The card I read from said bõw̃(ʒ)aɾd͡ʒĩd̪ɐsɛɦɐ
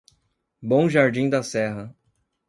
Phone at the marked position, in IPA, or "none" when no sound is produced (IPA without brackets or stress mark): ʒ